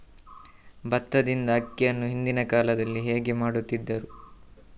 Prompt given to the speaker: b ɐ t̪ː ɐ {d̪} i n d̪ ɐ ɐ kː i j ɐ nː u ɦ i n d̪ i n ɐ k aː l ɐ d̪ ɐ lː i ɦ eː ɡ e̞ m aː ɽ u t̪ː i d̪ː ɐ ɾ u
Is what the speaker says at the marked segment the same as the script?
yes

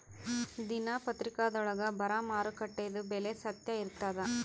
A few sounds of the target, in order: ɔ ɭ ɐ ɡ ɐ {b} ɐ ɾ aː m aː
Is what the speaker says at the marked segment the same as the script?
yes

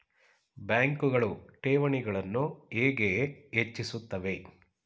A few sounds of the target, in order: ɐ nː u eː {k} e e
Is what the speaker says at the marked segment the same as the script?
no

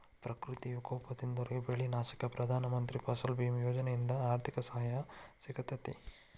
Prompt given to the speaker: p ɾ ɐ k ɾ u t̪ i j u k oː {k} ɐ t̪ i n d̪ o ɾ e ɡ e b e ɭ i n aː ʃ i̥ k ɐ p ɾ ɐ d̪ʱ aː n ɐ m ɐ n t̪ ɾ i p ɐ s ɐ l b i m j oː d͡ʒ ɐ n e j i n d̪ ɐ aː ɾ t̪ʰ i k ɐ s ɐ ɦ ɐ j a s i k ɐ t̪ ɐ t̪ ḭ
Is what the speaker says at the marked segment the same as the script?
no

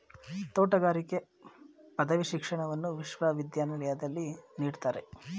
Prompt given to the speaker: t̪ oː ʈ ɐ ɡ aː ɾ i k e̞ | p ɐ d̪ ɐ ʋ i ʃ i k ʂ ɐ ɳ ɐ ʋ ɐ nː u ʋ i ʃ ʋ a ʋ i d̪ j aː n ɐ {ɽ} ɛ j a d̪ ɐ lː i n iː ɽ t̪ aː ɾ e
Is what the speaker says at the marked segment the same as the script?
no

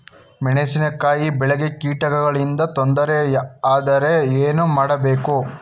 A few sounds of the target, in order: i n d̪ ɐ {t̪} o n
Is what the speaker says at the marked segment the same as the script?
yes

